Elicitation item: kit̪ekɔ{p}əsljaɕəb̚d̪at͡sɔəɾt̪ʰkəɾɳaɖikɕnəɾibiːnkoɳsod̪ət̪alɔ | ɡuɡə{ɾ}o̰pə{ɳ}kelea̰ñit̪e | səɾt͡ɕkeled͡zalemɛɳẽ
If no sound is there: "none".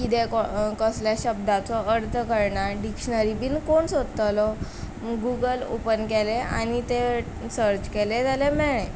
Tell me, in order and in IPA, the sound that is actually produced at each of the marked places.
k, l, n

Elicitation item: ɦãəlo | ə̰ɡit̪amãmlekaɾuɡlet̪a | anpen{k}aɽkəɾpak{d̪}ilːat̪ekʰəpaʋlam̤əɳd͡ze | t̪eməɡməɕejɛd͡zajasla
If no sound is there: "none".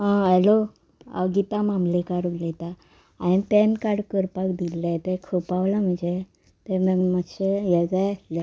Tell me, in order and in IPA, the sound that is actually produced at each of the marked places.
k, d̪

